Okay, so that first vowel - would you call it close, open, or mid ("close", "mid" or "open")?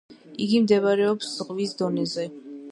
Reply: close